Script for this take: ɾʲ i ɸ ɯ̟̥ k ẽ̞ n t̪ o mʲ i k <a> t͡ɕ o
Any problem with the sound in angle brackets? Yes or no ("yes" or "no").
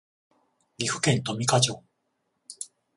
no